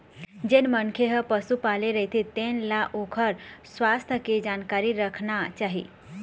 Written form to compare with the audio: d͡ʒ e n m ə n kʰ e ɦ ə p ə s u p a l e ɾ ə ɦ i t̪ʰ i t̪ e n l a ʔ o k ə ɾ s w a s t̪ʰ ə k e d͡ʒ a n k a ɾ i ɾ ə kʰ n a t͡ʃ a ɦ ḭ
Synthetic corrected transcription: d͡ʒ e n m ə n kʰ e ɦ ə p ə s u p a l e ɾ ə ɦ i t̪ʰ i t̪ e n l a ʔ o kʰ ə ɾ s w a s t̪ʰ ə k e d͡ʒ a n k a ɾ i ɾ ə kʰ n a t͡ʃ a ɦ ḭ